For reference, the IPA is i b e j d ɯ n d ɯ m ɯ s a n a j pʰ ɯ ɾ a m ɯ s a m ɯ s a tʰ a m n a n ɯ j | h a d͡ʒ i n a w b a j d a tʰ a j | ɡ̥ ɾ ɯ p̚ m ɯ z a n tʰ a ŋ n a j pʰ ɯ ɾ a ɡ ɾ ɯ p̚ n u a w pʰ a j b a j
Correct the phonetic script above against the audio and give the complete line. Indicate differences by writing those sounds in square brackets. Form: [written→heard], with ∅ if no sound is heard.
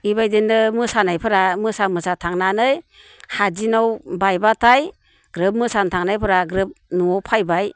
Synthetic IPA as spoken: i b [e→a] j d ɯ n d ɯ m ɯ s a n a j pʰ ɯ ɾ a m ɯ s a m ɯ s a tʰ a [m→ŋ] n a n ɯ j | h a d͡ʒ i n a w b a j [d→b] a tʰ a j | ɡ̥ ɾ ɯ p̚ m ɯ [z→s] a n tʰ a ŋ n a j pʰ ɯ ɾ a ɡ ɾ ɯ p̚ n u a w pʰ a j b a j